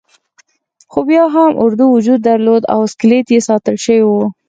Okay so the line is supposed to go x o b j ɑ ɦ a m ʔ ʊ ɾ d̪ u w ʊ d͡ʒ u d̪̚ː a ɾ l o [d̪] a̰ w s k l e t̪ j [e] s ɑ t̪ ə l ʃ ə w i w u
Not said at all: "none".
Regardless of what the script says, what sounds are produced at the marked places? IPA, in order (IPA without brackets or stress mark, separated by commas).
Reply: d̪, e